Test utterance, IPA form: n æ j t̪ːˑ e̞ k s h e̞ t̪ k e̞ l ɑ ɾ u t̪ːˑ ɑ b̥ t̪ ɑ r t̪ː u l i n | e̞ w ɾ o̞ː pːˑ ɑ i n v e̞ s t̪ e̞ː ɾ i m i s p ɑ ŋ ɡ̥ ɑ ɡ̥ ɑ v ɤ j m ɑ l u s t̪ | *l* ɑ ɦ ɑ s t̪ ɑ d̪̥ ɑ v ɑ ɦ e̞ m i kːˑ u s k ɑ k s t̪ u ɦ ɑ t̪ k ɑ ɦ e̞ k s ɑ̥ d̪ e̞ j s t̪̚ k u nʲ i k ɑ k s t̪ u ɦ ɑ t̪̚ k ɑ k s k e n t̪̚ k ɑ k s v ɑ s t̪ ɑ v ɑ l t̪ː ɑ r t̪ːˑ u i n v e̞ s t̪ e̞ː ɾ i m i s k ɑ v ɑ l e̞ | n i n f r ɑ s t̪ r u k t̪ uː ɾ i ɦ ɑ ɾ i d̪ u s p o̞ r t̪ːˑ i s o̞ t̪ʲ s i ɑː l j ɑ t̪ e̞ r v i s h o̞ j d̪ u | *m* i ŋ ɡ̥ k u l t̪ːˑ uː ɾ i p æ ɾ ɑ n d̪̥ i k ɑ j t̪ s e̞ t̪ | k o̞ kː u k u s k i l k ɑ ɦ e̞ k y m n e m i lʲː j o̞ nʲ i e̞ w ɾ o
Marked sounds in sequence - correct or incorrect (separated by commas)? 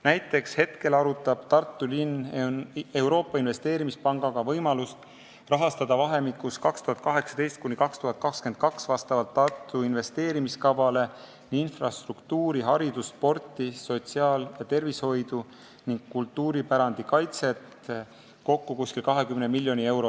incorrect, incorrect